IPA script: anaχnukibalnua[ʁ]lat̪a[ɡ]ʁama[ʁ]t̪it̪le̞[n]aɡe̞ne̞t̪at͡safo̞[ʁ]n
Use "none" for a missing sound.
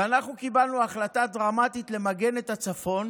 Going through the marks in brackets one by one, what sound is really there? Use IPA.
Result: χ, d, none, m, none

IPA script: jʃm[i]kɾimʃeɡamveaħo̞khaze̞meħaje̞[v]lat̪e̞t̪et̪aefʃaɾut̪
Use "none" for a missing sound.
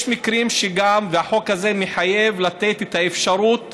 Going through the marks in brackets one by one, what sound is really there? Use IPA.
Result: i, v

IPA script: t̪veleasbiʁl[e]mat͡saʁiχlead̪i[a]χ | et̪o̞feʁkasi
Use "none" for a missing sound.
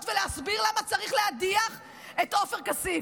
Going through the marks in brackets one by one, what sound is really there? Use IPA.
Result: a, a

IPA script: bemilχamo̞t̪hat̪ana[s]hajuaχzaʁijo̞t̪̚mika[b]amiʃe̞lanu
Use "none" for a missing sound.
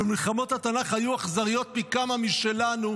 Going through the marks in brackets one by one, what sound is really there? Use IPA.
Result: χ, m

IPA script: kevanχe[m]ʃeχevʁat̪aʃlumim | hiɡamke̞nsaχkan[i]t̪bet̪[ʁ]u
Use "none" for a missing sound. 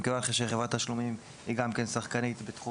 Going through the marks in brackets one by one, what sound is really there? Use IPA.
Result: none, i, χ

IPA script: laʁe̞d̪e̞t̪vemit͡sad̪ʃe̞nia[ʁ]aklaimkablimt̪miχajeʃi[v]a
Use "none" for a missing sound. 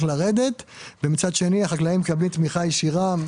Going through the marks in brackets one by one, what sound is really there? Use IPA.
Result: χ, ʁ

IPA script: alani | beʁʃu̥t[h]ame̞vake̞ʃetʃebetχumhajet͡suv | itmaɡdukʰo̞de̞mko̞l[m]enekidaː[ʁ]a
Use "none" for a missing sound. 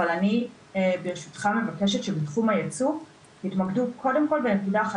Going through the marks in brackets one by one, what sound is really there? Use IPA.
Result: χ, b, χ

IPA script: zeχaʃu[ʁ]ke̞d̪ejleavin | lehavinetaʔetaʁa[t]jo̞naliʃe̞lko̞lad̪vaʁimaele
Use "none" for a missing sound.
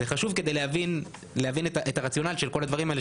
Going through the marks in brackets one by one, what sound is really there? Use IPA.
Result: v, t͡s

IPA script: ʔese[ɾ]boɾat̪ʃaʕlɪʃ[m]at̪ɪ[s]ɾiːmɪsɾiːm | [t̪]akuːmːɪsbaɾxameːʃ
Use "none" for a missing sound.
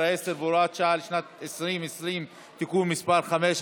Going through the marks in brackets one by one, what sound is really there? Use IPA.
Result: ɾ, n, s, t̪

